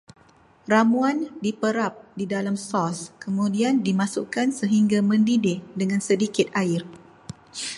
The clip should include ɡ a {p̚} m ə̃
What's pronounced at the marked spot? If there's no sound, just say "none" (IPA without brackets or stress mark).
none